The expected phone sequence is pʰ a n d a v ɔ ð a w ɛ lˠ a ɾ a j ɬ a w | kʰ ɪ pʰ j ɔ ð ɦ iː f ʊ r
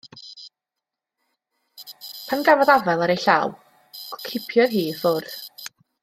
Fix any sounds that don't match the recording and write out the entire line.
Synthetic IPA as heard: pʰ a n ɡ a v ɔ ð a v ɛ lˠ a ɾ e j ɬ a w | kʰ ɪ pʰ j ɔ ð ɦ iː f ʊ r